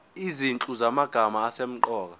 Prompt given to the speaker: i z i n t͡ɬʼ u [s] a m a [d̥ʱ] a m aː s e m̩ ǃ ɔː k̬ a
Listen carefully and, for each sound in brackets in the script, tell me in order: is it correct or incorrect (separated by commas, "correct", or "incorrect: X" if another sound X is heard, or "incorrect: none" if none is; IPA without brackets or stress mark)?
incorrect: z, incorrect: ɡ̥ʱ